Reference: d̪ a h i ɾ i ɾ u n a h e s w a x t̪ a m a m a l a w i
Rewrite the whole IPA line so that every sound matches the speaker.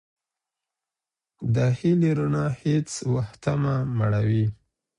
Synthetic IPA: d̪ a h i l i ɾ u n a h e t͡s w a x t̪ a m a m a ɽ a w i